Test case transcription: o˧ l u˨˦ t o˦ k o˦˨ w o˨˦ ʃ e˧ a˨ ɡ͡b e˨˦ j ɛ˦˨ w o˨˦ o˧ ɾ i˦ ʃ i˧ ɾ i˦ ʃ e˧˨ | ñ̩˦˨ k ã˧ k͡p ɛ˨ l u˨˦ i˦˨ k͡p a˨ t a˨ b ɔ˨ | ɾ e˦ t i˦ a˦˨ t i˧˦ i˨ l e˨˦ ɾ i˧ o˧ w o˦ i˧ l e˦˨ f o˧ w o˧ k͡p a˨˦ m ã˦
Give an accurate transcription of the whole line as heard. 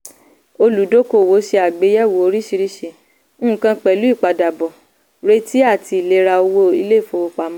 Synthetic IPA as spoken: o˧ l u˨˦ d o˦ k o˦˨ w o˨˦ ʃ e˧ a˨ ɡ͡b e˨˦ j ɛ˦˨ w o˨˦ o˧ ɾ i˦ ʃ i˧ ɾ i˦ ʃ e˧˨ | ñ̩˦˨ k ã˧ k͡p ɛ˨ l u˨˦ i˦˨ k͡p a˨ d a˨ b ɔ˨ | ɾ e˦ t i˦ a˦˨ t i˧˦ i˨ l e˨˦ ɾ a˧ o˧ w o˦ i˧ l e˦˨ f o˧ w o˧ k͡p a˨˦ m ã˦